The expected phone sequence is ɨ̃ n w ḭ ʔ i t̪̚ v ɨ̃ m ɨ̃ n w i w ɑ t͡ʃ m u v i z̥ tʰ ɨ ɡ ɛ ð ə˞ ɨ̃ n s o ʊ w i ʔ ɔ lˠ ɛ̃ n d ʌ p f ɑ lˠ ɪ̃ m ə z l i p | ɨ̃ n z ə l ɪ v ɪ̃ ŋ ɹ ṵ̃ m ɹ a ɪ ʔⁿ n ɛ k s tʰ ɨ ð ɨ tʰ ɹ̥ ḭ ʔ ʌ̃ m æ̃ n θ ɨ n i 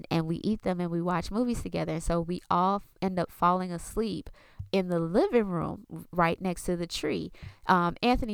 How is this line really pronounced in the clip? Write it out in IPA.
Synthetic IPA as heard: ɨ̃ n w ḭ ʔ i t̪̚ ð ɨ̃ m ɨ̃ n w i w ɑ t͡ʃ m u v i z̥ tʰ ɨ ɡ ɛ ð ə˞ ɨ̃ n s o ʊ w i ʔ ɔ lˠ ɛ̃ n d ʌ p f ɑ lˠ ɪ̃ ŋ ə s l i p | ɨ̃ n ð ə l ɪ v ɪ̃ ŋ ɹ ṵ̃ m ɹ a ɪ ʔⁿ n ɛ k s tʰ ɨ ð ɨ tʰ ɹ̥ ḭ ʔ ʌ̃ m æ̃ n θ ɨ n i